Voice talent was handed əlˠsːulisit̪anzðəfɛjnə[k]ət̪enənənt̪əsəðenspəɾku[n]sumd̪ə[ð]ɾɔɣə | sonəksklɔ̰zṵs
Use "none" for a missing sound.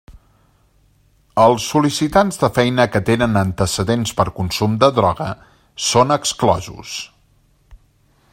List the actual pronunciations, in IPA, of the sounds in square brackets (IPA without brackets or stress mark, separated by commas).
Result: k, n, ð